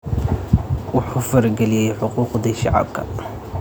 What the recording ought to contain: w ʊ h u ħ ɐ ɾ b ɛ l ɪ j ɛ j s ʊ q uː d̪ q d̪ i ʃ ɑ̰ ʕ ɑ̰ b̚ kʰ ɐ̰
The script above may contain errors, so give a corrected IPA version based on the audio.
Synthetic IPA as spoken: w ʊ ħ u f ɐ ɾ ɡ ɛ l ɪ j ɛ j ħ ʊ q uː q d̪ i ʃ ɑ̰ ʕ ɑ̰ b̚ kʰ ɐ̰